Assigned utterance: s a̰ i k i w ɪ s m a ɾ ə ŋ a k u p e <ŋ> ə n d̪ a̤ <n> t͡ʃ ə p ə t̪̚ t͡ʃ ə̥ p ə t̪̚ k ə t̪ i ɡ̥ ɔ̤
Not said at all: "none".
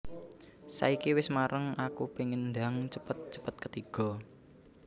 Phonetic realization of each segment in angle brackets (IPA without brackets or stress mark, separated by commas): ŋ, ŋ